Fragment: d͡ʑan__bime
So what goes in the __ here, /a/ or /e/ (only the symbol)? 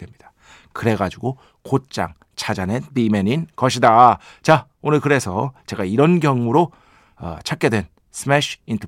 e